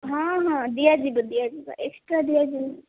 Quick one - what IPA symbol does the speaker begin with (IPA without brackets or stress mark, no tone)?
ɦ